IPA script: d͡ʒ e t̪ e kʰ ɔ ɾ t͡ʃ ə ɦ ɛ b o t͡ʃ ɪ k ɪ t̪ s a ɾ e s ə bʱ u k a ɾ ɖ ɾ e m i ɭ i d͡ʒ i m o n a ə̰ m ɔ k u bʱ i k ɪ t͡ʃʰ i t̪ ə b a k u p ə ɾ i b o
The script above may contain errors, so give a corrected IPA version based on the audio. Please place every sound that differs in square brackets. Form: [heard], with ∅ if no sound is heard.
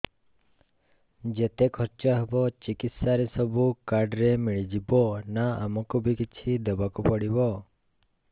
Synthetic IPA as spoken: d͡ʒ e t̪ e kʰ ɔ ɾ t͡ʃ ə ɦ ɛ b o t͡ʃ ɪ k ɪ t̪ s a ɾ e s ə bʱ u k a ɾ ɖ ɾ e m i ɭ i d͡ʒ i [b] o n a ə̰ m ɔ k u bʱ i k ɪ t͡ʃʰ i [d̪] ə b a k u p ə [ɽ] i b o